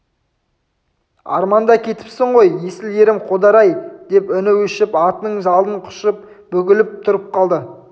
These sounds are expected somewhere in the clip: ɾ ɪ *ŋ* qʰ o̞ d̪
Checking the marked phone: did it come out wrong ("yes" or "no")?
yes